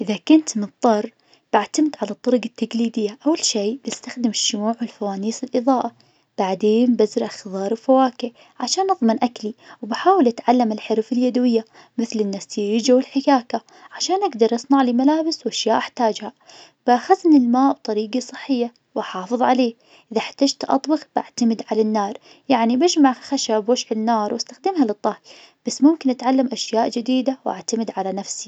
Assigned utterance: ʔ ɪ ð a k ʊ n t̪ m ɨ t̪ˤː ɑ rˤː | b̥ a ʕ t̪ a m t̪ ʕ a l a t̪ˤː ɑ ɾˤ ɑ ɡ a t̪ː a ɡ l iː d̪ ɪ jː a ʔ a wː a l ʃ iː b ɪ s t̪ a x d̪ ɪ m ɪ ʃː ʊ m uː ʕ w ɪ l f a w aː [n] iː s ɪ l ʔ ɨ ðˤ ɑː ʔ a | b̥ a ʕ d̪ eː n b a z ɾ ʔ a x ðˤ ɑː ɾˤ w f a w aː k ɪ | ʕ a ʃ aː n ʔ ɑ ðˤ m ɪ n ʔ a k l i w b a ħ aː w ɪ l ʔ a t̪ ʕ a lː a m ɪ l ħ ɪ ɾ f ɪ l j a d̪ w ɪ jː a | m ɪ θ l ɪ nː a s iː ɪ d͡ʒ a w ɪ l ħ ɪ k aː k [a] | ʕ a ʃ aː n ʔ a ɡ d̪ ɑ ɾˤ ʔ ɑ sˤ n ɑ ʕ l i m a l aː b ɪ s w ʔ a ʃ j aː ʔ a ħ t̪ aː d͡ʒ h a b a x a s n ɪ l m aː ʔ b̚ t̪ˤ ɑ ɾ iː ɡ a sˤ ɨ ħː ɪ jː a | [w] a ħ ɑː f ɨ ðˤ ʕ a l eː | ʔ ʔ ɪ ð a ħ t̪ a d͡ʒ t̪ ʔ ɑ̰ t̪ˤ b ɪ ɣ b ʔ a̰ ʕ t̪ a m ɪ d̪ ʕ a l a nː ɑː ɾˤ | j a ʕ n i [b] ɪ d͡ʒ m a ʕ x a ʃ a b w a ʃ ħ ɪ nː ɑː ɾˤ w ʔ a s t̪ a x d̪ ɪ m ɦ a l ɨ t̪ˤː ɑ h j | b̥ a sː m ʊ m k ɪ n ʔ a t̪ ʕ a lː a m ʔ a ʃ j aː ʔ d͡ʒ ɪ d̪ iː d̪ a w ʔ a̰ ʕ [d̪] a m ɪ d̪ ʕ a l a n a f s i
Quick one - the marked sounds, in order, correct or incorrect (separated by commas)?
correct, correct, correct, correct, incorrect